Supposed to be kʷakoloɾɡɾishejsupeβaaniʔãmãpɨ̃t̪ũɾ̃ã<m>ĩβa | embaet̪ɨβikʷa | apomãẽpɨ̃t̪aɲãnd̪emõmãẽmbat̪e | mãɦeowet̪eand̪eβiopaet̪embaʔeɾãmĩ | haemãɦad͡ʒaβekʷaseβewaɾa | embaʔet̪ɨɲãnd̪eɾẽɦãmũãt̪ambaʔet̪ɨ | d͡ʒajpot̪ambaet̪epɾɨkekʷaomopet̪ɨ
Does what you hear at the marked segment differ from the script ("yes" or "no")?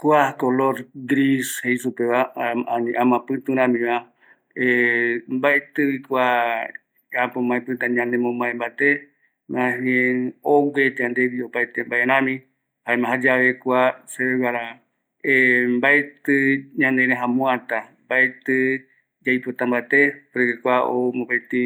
no